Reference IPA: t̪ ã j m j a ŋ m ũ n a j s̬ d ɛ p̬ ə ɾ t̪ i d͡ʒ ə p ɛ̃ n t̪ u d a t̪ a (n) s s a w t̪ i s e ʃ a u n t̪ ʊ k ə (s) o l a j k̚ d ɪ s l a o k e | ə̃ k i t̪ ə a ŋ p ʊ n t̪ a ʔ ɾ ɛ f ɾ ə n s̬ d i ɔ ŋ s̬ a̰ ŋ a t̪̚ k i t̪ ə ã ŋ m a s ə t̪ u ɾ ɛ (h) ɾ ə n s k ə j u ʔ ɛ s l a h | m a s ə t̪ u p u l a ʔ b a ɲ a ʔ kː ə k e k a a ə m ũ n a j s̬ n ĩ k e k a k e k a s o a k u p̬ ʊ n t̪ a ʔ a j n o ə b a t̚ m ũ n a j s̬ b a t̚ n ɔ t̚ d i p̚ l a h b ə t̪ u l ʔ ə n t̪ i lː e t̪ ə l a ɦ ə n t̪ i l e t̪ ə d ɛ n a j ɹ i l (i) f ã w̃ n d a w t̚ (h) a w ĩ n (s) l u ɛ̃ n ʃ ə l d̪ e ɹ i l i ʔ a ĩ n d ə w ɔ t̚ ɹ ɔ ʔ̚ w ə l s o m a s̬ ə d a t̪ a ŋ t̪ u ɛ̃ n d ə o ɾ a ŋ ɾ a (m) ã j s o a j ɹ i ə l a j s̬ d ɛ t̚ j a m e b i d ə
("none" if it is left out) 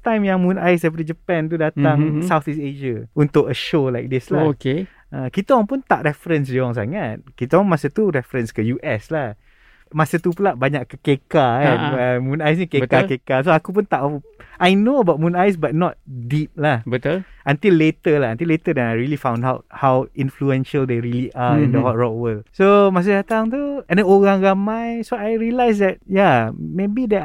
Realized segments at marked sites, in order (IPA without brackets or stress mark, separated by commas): ŋ, ʃ, f, i, h, f, m